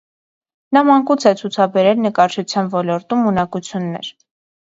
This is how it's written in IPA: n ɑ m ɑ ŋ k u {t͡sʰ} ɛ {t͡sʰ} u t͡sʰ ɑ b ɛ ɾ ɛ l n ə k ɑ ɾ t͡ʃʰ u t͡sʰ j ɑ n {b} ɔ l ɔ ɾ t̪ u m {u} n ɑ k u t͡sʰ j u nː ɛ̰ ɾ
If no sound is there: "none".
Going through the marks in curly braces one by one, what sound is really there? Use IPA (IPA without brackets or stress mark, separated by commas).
t͡sʰ, t͡sʰ, v, u